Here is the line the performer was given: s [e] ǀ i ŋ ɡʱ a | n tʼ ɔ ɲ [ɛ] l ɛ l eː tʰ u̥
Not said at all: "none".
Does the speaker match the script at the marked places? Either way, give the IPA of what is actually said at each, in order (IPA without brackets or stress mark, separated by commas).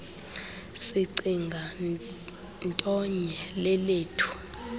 i, ɛ